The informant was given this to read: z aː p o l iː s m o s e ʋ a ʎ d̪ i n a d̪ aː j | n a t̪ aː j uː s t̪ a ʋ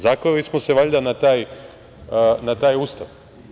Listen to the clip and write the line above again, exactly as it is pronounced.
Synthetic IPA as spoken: z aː k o l i s m o s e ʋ a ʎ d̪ a n a t̪ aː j | n a t̪ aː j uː s t̪ a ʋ